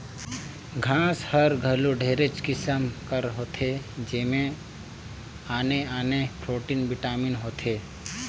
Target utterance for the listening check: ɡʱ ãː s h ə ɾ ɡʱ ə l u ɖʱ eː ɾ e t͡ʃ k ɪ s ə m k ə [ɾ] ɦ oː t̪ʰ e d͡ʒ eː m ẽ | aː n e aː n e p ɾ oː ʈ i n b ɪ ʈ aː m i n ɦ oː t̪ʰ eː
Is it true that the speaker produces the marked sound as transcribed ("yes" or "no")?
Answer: yes